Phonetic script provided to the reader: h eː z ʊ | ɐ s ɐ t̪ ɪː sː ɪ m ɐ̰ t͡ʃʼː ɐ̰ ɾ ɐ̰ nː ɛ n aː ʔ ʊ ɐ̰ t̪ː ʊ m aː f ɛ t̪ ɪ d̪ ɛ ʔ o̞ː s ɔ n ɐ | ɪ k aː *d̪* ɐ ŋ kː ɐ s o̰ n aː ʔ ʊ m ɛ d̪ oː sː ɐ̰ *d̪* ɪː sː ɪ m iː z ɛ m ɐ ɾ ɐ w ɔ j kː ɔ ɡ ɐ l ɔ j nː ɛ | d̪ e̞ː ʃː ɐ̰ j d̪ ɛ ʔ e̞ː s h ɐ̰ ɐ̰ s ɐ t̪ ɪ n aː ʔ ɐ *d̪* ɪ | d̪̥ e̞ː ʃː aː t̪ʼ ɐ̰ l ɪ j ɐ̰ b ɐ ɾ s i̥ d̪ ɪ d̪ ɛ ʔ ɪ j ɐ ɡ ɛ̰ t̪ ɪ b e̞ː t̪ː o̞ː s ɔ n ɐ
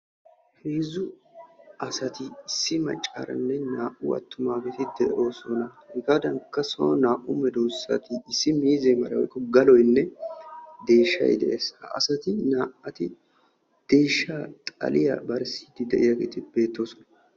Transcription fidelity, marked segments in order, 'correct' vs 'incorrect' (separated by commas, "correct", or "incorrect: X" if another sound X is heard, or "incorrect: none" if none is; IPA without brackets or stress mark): correct, incorrect: t̪, incorrect: t̪